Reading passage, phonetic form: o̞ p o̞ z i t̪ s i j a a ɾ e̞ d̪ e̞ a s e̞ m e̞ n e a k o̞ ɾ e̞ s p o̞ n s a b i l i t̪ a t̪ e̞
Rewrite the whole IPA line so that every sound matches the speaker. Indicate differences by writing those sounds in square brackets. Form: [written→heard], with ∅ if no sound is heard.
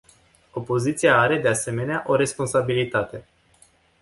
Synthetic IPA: o̞ p o̞ z i t̪ s i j a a ɾ e̞ d̪ e̞ a s e̞ m e̞ n e a [k→ʔ] o̞ ɾ e̞ s p o̞ n s a b i l i t̪ a t̪ e̞